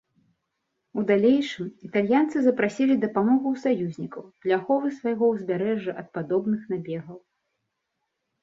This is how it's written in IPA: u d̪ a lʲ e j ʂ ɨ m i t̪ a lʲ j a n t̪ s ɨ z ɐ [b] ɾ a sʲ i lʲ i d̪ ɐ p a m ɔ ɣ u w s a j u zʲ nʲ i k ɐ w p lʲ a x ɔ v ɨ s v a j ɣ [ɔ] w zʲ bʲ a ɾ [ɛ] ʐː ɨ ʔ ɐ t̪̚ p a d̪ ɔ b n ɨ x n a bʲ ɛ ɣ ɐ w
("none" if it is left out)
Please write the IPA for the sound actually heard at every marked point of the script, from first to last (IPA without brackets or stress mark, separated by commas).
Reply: p, ɔ, ɛ